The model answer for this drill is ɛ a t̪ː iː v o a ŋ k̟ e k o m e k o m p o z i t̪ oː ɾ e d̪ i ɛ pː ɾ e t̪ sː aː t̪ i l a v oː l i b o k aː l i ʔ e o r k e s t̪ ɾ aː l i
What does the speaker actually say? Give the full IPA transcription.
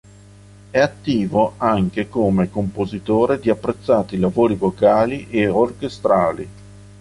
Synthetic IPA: ɛ a t̪ː iː v o a ŋ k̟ e k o m e k o m p o z i t̪ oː ɾ e d̪ i a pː ɾ e t̪ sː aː t̪ i l a v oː ɾ i v o k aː l i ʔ e o r k e s t̪ ɾ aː l i

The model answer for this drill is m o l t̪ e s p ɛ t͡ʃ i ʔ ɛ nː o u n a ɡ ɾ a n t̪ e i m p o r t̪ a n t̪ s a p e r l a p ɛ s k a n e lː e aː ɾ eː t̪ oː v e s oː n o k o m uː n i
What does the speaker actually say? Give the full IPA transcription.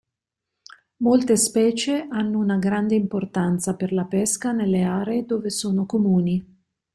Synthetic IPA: m o l t̪ e s p ɛː t͡ʃ e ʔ a nː o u n a ɡ ɾ a n d̪ e i m p o r t̪ a n t̪ s a p e r l a p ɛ s k a n e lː e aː ɾ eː d̪ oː v e s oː n o k o m uː n i

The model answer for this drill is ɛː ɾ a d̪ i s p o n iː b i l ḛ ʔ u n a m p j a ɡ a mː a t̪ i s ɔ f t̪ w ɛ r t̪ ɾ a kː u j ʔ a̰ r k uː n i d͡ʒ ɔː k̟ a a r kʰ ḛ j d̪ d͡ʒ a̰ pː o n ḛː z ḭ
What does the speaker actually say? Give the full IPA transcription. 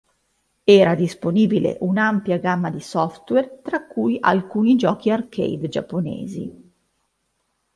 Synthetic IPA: ɛː ɾ a d̪ i s p o n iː b i l ḛ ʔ u n a m p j a ɡ a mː a d̪ i s ɔ f t̪ w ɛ r t̪ ɾ a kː u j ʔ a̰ l k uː n i d͡ʒ ɔː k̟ i a r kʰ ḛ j d̪ d͡ʒ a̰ pː o n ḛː z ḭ

